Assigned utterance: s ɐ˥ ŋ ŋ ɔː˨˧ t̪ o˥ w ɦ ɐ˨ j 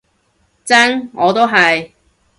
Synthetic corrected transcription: t͡s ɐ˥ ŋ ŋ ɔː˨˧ t̪ o˥ w ɦ ɐ˨ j